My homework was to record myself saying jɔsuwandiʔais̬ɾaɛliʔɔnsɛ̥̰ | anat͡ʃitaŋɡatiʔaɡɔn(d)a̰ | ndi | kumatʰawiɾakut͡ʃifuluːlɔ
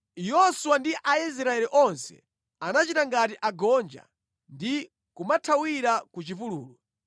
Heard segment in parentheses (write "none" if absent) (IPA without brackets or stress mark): d͡ʒ